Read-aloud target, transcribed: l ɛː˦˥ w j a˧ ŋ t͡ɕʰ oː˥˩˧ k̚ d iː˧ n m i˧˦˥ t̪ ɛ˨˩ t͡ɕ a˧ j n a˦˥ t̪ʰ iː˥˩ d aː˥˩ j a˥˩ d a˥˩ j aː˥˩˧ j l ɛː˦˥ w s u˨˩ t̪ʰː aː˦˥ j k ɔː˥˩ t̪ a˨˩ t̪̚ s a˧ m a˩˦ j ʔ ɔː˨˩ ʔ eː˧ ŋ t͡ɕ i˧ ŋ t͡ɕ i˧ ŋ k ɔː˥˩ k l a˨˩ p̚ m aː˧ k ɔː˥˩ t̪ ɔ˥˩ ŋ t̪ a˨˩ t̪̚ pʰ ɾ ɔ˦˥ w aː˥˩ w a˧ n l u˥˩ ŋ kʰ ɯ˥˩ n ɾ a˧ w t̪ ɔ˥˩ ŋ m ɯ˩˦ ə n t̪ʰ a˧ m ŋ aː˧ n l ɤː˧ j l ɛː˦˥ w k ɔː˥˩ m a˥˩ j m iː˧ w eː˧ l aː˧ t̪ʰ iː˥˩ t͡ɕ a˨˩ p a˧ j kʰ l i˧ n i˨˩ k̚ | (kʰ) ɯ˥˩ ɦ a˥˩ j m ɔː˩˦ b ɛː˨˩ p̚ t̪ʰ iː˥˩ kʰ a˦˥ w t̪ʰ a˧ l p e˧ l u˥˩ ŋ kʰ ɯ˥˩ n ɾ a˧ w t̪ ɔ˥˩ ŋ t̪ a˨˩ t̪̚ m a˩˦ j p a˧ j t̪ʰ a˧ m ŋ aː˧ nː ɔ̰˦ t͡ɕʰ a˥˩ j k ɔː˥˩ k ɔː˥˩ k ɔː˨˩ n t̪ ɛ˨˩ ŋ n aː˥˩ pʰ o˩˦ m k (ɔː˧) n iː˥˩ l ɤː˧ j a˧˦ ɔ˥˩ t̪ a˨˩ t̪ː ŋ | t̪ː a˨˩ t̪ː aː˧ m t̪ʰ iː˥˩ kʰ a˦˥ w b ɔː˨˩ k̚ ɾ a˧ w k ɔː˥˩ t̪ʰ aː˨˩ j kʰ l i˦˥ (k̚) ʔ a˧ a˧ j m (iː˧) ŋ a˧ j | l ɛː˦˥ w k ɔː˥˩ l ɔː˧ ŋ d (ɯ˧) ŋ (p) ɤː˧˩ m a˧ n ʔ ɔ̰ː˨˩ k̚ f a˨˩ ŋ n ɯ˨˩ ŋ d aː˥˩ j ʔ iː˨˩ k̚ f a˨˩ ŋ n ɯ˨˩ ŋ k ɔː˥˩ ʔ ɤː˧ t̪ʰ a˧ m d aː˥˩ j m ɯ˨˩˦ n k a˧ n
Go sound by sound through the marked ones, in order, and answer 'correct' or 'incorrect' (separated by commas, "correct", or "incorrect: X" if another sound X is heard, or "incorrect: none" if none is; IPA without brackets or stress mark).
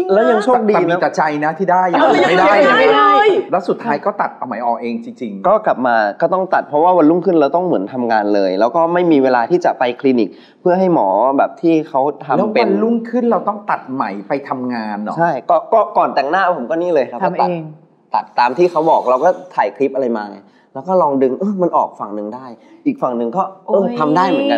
incorrect: pʰ, incorrect: ɔː˥˩, incorrect: p̚, incorrect: aː˧, correct, incorrect: ʔ